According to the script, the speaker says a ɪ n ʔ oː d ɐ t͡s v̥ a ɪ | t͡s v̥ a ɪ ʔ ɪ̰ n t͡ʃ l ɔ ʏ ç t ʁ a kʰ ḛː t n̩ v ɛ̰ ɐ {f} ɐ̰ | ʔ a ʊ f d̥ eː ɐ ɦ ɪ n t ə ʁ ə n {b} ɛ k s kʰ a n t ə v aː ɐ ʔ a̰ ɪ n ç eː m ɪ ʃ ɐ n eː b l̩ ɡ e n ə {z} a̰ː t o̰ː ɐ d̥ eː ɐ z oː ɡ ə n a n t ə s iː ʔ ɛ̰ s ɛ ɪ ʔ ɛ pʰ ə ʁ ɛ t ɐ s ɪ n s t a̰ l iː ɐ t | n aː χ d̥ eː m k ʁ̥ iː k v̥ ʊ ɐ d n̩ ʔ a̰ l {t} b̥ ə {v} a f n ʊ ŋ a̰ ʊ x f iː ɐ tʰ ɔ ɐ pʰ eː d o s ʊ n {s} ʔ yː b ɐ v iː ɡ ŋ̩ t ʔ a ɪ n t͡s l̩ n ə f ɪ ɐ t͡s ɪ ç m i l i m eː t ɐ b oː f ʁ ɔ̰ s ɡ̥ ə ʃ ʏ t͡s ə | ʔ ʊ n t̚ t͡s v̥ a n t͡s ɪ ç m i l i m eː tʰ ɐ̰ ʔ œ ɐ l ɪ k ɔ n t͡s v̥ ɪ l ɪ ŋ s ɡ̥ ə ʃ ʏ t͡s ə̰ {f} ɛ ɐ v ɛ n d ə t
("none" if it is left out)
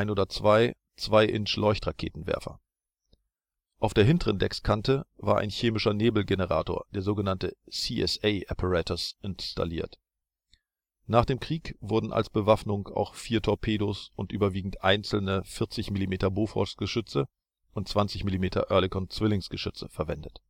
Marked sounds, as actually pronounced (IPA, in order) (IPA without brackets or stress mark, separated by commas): f, d, ʁ, s, v, t, f